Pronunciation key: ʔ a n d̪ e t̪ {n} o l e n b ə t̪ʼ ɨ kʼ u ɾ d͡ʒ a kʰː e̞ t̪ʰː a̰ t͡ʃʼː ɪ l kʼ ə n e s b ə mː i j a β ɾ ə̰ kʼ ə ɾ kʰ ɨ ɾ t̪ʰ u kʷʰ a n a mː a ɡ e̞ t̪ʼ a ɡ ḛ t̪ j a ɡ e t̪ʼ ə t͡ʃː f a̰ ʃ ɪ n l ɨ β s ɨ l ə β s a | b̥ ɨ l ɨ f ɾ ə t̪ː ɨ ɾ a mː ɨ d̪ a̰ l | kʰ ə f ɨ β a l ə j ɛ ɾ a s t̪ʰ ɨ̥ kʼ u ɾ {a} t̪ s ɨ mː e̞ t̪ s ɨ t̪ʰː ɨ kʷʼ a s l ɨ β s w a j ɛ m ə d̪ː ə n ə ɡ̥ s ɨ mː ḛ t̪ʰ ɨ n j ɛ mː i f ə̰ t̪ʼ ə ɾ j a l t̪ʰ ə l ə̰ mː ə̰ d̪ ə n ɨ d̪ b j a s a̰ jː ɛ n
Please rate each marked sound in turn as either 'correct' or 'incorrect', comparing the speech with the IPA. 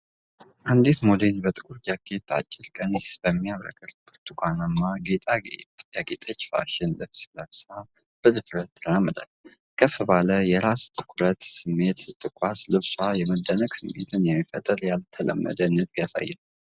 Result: incorrect: m, incorrect: ə

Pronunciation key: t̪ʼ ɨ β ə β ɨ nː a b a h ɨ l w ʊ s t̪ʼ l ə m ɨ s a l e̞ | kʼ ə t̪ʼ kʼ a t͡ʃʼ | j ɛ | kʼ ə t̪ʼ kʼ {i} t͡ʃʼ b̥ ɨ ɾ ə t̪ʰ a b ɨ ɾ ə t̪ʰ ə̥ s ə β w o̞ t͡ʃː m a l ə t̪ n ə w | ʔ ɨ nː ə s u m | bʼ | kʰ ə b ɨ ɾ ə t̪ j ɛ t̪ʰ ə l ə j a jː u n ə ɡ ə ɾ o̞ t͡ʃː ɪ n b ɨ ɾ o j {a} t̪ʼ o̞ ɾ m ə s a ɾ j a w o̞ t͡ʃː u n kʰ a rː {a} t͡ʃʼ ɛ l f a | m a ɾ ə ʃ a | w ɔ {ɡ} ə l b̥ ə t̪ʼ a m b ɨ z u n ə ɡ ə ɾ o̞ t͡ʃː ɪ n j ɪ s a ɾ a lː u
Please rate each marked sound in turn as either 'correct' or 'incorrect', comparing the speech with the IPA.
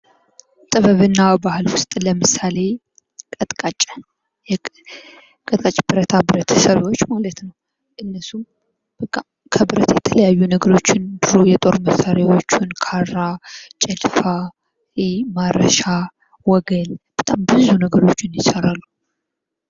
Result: incorrect: a, incorrect: ɛ, correct, correct

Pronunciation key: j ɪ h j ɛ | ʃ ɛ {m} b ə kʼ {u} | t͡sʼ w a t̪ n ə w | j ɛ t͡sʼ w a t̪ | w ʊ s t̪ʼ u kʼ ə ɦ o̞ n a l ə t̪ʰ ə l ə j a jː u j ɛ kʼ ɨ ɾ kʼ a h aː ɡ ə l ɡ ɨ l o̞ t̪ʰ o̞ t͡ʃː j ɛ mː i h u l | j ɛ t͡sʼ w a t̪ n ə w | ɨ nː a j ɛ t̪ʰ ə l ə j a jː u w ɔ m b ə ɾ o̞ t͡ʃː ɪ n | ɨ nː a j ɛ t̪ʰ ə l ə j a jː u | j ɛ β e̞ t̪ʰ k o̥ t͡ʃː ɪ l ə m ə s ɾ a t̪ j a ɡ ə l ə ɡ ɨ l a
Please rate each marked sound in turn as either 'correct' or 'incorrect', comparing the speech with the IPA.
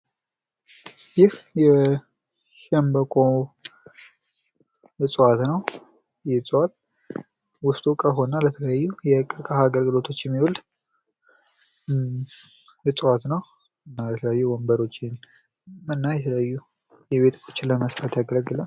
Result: correct, incorrect: o

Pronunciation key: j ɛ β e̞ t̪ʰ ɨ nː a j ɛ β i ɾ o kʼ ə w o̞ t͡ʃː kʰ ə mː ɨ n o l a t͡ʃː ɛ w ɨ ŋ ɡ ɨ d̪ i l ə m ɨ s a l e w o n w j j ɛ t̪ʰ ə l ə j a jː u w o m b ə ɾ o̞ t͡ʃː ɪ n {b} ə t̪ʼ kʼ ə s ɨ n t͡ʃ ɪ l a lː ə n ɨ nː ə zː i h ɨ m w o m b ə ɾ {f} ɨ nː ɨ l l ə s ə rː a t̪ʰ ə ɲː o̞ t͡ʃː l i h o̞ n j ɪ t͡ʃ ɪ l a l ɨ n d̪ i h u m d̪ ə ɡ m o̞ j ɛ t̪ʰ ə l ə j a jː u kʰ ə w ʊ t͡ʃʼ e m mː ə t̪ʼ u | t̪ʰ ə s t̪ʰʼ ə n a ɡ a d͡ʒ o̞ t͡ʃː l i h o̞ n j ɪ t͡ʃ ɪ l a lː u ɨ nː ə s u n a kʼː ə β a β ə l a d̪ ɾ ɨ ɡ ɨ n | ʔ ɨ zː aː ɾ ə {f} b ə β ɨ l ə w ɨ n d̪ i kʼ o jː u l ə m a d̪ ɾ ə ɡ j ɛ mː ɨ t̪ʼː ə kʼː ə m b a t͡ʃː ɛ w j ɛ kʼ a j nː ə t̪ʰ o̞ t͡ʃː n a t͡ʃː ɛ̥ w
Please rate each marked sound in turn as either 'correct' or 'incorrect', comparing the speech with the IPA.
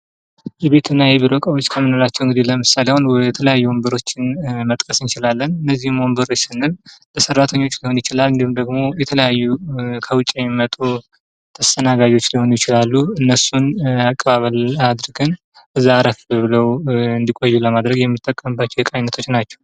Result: incorrect: m, incorrect: s, correct

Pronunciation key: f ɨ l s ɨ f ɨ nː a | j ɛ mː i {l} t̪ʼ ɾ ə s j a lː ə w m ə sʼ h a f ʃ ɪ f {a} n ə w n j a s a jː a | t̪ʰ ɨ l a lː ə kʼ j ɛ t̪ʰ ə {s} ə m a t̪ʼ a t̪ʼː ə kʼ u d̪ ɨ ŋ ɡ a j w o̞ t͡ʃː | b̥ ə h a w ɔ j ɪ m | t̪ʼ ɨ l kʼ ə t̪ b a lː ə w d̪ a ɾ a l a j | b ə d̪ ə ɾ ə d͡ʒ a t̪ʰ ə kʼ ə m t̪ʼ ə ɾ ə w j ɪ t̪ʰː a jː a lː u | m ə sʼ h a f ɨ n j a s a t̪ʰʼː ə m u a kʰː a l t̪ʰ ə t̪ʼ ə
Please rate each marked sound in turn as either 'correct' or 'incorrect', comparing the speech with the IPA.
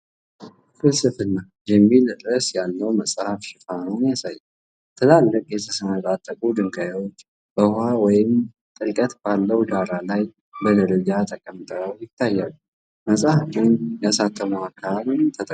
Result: correct, correct, correct

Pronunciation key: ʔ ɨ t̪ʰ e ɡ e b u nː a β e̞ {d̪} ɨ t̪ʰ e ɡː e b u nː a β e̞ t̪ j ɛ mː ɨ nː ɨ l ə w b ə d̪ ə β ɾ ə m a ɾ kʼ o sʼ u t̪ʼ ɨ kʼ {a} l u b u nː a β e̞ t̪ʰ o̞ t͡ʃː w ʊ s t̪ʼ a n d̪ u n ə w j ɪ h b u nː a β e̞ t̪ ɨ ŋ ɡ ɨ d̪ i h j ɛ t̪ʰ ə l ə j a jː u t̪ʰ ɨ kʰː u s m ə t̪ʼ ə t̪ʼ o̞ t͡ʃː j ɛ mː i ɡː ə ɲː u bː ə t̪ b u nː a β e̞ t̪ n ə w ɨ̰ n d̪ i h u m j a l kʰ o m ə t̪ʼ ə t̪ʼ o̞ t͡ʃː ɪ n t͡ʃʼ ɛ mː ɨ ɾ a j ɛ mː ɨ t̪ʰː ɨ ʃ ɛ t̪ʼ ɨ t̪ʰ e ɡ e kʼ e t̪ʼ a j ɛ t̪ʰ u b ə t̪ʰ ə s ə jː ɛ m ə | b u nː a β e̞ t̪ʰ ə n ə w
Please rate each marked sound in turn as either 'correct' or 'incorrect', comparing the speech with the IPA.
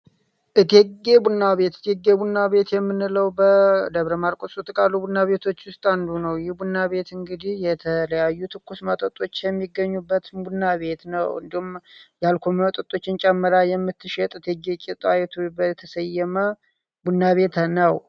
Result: incorrect: t̪, correct

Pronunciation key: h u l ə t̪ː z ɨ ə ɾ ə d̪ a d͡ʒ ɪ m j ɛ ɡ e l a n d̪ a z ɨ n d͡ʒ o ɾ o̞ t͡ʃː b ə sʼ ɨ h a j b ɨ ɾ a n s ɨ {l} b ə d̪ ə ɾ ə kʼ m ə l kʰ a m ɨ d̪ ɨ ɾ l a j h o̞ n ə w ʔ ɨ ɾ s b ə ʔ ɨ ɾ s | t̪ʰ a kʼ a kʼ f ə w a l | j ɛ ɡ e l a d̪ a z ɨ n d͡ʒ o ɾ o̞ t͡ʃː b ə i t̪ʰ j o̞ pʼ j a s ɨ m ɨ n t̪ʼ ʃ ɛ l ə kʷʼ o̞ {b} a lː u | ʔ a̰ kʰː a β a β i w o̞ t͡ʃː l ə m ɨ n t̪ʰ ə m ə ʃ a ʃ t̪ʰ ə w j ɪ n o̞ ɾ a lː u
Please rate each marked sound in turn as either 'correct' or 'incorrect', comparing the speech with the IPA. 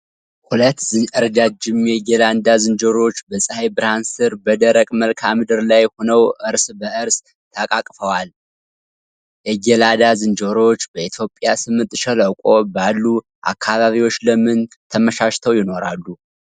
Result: incorrect: ɾ, correct

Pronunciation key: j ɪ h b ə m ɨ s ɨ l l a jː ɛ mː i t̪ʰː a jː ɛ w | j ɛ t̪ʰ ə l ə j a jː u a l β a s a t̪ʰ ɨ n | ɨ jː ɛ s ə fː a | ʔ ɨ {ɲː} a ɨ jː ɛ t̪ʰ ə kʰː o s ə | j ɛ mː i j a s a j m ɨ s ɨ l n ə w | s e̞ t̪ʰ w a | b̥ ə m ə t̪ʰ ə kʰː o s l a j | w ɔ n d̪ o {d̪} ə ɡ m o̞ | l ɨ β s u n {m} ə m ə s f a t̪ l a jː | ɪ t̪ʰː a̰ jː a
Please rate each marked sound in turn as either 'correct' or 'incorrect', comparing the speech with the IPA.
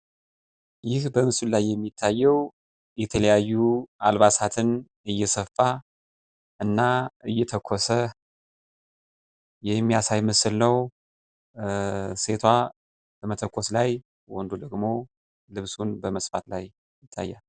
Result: incorrect: nː, correct, incorrect: b

